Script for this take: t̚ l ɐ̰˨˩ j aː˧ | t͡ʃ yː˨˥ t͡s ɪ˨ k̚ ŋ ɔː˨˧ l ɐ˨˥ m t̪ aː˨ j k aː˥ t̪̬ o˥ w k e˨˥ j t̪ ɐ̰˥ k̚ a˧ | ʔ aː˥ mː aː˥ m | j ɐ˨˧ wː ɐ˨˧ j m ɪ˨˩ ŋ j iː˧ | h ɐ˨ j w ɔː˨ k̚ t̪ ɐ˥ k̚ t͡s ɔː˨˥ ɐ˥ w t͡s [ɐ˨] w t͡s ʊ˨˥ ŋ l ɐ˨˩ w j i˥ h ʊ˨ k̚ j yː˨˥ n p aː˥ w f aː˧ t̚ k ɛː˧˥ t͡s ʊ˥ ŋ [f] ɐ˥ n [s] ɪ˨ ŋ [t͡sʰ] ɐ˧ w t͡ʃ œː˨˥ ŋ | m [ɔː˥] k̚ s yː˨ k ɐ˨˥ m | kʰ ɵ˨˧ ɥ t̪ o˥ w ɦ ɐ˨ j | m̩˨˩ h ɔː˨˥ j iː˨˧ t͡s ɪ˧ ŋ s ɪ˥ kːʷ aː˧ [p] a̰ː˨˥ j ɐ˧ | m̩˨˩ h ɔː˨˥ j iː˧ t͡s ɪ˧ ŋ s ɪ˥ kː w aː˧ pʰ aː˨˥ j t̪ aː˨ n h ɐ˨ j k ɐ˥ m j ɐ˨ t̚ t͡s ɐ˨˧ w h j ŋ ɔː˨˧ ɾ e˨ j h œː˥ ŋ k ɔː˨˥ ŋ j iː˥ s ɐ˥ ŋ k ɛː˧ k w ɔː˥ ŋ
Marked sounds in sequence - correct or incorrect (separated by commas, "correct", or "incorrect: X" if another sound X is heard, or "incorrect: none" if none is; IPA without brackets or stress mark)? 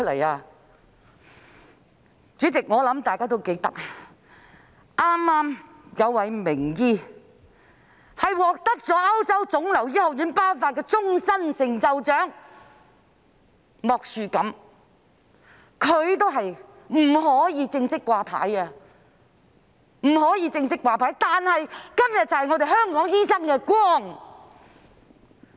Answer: incorrect: ɐ˥, incorrect: s, correct, incorrect: t͡s, incorrect: ɔː˨, incorrect: pʰ